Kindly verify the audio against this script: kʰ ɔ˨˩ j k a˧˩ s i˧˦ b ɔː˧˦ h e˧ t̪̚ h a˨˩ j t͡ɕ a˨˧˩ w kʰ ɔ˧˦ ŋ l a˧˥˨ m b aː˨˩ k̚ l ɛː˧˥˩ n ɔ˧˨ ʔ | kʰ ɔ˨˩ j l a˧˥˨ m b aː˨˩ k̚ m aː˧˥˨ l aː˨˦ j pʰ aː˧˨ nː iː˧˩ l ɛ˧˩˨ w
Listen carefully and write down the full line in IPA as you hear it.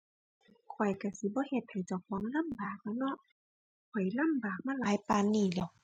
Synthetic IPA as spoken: kʰ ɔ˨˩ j k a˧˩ s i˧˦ b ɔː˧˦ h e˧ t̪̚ h a˨˩ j t͡ɕ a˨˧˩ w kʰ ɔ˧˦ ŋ l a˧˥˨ m b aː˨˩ k̚ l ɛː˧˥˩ n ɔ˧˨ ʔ | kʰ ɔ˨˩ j l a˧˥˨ m b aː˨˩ k̚ m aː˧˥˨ l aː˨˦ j p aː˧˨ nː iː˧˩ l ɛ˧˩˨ w